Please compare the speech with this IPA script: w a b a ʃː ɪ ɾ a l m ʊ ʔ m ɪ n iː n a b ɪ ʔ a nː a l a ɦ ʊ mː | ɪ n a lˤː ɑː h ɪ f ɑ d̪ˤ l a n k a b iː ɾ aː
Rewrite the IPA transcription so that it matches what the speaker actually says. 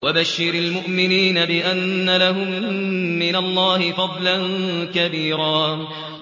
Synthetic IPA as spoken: w a b a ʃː ɪ ɾ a l m ʊ ʔ m ɪ n iː n a b ɪ ʔ a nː a l a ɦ ʊ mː | ɪ n a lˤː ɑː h ɪ f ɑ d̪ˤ l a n k a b iː ɾ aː